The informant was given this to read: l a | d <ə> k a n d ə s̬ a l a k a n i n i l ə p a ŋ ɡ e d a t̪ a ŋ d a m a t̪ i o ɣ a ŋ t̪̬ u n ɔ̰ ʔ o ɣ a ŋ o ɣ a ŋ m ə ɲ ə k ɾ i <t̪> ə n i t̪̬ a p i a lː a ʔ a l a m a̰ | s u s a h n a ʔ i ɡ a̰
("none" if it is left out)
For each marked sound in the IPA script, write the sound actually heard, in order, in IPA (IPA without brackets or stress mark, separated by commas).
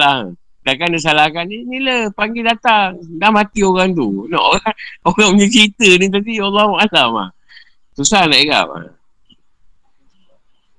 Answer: a, t̪